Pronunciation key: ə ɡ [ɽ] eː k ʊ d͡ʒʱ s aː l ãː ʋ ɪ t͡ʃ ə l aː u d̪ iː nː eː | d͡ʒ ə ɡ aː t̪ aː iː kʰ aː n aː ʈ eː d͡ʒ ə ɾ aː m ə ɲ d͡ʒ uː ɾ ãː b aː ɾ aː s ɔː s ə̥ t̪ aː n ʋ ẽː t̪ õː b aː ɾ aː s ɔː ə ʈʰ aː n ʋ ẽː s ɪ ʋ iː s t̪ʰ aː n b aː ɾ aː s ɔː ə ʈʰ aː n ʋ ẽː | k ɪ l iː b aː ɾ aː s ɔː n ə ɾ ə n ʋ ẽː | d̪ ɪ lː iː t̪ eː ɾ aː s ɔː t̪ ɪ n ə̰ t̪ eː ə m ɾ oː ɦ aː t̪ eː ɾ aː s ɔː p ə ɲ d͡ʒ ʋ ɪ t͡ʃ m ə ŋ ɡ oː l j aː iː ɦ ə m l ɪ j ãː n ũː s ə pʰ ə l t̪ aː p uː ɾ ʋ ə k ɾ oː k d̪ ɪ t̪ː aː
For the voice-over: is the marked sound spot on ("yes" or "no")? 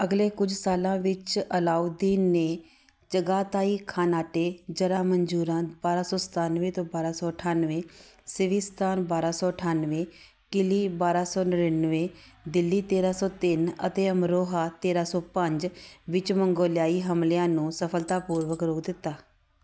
no